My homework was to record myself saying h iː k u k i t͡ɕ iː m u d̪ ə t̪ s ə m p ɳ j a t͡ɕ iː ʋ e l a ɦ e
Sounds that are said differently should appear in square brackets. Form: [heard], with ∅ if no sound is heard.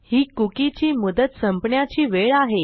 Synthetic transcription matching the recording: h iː k u k i t͡ɕ iː m u d̪ ə t̪ s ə m p ɳ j a t͡ɕ iː ʋ e [ɭ] a ɦ e